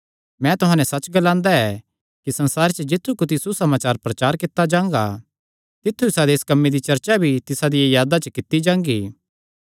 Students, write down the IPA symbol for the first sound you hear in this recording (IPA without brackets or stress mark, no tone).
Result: m